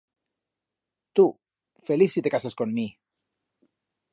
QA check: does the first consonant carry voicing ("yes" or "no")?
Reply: no